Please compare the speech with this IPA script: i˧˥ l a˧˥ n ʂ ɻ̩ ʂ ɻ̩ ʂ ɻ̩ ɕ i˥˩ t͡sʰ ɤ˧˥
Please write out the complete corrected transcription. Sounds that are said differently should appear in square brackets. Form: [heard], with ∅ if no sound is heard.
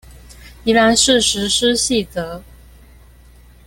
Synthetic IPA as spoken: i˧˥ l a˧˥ n ʂ ɻ̩ ʂ ɻ̩ ʂ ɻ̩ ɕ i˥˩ [t͡s] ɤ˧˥